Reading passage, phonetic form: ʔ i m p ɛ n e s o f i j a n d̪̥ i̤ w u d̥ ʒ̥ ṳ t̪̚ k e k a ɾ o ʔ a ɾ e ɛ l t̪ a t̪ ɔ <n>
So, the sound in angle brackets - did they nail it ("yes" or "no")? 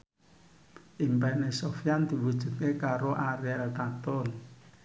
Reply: yes